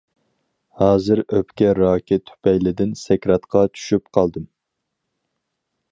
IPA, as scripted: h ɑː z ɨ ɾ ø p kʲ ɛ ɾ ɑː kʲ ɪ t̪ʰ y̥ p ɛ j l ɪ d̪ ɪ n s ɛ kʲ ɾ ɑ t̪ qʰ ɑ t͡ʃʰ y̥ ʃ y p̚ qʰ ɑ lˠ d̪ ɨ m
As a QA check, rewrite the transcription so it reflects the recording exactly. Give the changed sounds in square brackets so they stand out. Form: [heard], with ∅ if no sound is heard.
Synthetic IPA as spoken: h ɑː z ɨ ɾ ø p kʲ ɛ ɾ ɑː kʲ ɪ t̪ʰ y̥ p ɛ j l ɪ d̪ ɪ n s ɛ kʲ ɾ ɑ t̪ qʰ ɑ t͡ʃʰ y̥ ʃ y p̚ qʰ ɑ lˠ d̪ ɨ m